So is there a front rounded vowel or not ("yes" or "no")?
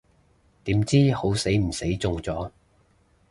no